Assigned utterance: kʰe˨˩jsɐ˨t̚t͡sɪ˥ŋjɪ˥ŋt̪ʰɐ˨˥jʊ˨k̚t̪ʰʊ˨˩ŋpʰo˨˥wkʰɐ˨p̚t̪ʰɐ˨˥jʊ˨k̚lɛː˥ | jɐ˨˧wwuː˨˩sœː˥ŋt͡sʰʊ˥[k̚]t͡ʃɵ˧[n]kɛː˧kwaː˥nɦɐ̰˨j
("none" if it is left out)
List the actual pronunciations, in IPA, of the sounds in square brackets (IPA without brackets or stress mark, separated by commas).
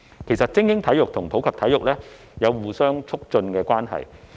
k̚, n